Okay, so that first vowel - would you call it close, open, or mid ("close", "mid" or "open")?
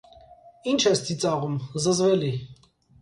close